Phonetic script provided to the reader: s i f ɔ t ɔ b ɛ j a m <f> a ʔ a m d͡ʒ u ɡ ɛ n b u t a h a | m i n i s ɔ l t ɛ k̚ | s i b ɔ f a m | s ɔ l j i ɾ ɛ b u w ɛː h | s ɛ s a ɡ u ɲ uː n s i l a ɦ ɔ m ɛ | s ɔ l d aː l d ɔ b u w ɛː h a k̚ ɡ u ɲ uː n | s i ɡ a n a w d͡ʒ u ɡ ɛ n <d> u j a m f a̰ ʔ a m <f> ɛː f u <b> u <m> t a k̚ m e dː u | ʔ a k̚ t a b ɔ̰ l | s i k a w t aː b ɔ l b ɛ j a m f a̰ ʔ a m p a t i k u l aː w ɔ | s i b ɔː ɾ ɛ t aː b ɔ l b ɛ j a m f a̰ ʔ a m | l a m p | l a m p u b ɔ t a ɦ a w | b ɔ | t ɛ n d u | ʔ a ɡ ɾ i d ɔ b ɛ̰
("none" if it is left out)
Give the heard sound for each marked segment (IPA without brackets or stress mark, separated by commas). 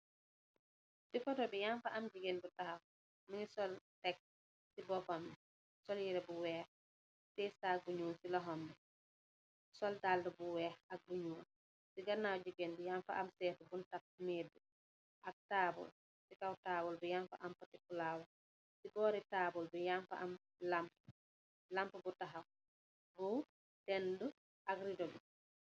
f, d, s, b, n